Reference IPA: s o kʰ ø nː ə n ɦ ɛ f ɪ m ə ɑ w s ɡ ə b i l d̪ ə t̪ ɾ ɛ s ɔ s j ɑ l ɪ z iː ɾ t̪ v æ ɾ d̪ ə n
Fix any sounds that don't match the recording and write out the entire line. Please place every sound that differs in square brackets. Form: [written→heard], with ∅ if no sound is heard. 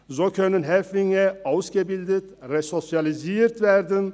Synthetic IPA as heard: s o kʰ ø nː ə n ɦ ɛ f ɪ [m→ŋ] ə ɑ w s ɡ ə b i l d̪ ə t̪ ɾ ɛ s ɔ s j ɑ l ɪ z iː ɾ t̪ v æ ɾ d̪ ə n